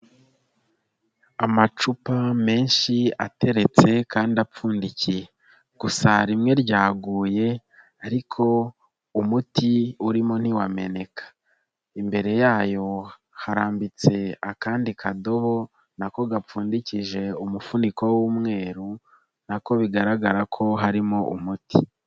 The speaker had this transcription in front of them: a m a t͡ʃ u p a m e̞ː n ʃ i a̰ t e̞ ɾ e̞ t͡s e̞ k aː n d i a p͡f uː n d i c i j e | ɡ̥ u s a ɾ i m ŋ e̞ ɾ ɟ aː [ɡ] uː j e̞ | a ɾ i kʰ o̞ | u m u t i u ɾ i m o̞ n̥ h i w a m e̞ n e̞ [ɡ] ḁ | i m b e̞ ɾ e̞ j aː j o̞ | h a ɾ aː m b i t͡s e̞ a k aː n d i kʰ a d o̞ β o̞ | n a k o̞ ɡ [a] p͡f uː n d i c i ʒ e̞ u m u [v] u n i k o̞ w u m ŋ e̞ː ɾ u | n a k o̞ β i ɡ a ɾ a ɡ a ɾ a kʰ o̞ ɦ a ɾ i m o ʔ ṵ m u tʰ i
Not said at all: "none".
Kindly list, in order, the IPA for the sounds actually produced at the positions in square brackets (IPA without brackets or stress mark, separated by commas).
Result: ɡ, k, a, f